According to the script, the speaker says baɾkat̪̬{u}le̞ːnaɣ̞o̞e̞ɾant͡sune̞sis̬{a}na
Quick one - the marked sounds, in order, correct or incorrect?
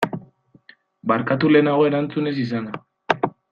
correct, correct

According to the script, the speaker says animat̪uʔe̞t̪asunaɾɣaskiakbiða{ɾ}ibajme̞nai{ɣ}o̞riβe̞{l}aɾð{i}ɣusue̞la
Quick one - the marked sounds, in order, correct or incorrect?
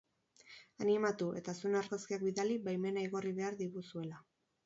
incorrect: l, correct, incorrect: none, correct

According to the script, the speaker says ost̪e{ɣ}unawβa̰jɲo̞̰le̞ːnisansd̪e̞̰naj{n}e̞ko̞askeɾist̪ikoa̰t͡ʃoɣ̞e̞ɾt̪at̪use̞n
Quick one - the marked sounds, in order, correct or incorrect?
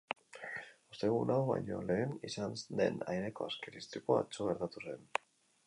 correct, correct

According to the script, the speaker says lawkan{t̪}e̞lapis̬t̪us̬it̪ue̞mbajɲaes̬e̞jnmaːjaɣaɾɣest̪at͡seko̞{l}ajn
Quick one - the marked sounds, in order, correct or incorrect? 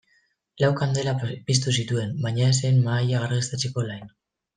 incorrect: d̪, correct

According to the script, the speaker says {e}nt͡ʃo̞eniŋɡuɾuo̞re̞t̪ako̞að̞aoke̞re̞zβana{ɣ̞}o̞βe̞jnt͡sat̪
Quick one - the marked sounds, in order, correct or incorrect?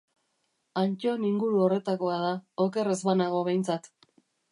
incorrect: a, correct

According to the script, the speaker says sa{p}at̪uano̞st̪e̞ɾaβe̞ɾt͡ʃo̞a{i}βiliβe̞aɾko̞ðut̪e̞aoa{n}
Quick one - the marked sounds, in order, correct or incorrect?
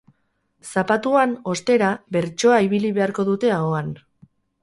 correct, correct, correct

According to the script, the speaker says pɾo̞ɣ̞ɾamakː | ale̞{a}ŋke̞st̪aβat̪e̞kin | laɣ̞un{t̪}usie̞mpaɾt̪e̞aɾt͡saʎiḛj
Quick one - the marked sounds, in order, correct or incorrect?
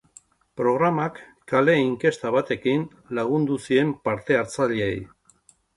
incorrect: i, incorrect: d̪

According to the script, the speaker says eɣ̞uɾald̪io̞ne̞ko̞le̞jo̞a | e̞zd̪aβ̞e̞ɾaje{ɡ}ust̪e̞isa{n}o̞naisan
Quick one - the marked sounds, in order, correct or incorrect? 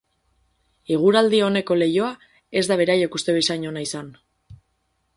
incorrect: k, incorrect: ɲ

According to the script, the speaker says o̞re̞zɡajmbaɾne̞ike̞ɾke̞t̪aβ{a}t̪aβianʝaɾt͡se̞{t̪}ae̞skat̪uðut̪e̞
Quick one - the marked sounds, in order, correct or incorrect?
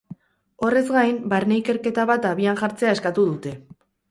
correct, incorrect: none

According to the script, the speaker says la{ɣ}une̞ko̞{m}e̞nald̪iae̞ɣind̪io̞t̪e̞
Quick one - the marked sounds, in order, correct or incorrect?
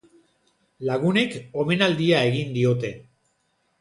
correct, correct

